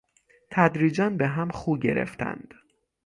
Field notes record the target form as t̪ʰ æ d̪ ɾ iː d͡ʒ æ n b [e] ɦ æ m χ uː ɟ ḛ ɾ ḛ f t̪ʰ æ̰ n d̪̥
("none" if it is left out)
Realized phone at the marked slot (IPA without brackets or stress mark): e